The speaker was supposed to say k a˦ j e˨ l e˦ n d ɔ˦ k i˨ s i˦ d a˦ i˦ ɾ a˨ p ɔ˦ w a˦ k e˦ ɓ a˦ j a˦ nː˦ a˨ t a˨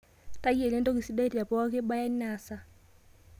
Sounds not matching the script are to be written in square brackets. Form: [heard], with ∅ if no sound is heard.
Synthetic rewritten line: [t] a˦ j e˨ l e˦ n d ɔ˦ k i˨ s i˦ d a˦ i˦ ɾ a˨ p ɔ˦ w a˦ k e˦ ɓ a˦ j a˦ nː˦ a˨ [s] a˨